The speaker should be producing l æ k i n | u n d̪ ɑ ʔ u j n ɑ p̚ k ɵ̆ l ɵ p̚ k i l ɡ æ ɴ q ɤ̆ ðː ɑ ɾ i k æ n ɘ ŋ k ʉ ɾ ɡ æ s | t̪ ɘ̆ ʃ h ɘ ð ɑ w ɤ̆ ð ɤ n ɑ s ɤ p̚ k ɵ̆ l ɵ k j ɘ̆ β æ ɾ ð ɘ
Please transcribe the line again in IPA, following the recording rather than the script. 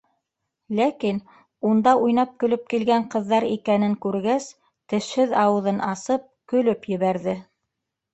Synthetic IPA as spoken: l æ k i n | u n d̪ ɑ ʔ u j n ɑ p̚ k ɵ̆ l ɵ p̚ k i l ɡ æ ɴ q ɤ̆ ðː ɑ ɾ i k æ n ɘ ŋ k ʉ ɾ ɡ æ s | t̪ ɘ̆ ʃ h ɘ ð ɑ w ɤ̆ ð ɤ n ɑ s ɤ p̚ k ɵ̆ l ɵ p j ɘ̆ β æ ɾ ð ɘ